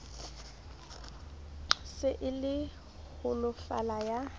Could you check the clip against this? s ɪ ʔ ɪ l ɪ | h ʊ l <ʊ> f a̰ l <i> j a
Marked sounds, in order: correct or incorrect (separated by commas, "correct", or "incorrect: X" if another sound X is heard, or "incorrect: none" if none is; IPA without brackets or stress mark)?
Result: correct, incorrect: a